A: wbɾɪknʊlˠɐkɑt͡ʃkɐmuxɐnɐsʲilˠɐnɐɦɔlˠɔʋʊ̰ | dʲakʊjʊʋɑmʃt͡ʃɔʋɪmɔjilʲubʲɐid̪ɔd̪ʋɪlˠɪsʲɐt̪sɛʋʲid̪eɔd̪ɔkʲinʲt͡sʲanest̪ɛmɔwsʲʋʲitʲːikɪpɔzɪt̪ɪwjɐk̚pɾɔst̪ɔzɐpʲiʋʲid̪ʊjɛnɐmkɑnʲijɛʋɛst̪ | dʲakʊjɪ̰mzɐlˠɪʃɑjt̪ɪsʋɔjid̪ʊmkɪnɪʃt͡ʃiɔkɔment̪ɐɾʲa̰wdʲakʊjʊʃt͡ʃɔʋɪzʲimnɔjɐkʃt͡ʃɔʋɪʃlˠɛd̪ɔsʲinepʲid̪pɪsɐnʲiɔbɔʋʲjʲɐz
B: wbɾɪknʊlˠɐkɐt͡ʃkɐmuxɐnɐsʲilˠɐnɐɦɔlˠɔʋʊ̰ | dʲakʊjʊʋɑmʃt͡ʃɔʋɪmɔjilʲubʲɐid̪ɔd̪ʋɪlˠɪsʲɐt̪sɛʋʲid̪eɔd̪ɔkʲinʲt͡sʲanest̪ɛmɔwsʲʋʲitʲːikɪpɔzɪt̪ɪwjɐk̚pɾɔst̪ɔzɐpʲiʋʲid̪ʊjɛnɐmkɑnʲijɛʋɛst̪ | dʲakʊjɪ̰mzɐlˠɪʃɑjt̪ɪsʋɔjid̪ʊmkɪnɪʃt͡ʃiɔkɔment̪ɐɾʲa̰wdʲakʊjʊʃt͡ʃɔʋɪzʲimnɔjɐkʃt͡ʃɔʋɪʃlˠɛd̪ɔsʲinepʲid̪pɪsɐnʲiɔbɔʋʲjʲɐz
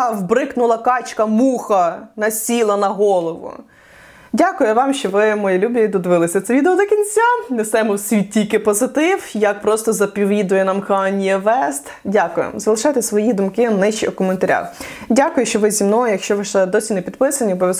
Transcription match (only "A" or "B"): A